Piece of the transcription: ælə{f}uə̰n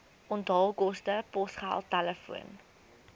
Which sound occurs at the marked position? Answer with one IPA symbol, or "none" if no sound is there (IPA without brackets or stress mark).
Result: f